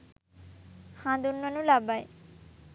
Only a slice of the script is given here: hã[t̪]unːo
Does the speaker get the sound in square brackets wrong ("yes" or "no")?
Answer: yes